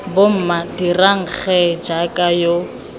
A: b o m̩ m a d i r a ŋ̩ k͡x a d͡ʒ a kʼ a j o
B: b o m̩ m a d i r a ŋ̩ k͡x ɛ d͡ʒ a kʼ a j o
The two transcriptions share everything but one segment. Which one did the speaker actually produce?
B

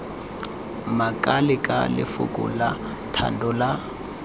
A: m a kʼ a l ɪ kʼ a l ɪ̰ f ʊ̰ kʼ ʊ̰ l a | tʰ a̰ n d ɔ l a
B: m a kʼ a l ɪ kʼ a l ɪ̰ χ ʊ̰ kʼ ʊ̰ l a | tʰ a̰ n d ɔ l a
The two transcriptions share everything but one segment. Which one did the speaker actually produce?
A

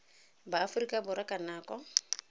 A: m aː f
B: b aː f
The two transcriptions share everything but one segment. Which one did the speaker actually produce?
B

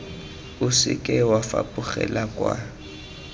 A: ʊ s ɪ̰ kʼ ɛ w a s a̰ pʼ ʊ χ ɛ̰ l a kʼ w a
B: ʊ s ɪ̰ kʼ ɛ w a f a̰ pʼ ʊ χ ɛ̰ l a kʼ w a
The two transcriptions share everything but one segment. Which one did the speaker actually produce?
B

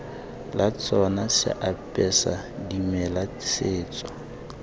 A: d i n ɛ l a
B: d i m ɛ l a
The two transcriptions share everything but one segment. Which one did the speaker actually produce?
B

